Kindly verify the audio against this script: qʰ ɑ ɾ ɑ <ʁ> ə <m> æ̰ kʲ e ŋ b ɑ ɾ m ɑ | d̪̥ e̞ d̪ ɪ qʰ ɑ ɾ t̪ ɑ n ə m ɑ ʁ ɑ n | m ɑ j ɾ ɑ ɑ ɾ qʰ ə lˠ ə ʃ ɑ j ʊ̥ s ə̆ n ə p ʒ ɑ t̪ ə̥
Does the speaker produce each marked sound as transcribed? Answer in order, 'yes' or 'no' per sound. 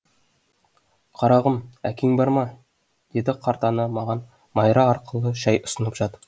yes, yes

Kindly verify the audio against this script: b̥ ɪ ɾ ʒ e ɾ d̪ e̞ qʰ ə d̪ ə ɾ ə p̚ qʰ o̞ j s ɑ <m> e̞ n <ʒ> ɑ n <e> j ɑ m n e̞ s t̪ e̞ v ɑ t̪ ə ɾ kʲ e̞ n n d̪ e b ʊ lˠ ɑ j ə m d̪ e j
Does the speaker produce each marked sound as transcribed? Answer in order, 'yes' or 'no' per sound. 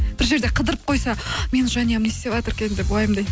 yes, yes, no

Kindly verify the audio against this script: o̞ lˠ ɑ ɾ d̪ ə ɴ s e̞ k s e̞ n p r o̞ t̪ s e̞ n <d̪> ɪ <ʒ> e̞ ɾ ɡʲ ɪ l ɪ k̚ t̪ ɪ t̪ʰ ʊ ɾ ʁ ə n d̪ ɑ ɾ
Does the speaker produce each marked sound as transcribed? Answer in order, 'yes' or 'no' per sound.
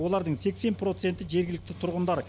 no, yes

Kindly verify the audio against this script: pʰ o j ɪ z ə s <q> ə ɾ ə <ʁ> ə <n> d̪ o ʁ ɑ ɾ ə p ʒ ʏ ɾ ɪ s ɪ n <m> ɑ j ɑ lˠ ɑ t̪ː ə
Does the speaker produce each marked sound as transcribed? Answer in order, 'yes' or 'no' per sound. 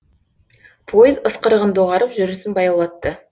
yes, yes, yes, no

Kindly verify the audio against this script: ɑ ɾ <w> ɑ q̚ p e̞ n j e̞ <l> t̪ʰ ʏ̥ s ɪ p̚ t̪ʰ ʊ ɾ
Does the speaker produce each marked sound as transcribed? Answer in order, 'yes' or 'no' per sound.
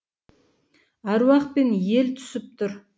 yes, yes

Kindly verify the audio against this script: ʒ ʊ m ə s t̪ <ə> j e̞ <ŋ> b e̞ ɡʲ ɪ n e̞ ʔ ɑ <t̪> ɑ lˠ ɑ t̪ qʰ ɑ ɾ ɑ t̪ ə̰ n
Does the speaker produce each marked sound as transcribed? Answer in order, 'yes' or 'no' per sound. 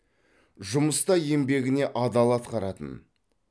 no, no, no

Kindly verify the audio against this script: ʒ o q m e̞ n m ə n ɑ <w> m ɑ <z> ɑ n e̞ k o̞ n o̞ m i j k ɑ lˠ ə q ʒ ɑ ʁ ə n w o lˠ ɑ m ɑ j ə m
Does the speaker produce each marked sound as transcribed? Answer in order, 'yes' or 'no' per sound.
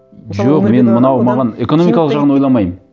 yes, no

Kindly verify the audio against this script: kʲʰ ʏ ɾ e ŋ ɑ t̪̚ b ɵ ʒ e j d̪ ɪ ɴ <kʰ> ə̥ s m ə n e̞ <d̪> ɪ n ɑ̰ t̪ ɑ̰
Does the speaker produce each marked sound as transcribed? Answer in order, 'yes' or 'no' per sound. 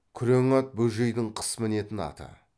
no, no

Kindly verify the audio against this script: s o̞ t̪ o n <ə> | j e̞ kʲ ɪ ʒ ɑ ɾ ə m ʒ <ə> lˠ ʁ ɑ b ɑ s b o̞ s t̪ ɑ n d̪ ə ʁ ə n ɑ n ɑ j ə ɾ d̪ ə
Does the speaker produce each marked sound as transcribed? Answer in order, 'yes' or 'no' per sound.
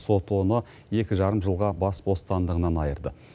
yes, yes

